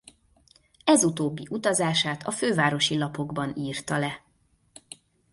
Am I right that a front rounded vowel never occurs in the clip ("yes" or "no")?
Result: no